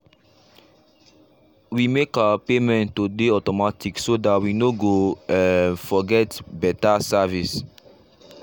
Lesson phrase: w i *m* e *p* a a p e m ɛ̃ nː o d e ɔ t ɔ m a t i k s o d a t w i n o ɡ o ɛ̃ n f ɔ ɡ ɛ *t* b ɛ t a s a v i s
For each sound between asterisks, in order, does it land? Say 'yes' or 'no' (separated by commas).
yes, no, yes